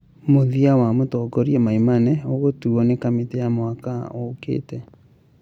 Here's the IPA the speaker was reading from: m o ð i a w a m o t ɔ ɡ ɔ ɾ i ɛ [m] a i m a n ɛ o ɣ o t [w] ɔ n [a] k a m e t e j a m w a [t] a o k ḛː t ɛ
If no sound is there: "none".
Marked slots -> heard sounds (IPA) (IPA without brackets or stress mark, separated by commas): m, u, e, k